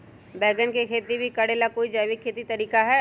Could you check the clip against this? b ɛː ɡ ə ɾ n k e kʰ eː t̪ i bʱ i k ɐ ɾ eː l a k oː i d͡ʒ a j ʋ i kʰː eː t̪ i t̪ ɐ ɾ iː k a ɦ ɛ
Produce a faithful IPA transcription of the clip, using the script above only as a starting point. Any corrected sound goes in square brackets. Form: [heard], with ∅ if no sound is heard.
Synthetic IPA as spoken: b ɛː ɡ ə [∅] n k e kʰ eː t̪ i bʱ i k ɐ [ɽ] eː l a k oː i d͡ʒ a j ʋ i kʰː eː t̪ i t̪ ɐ ɾ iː k a ɦ ɛ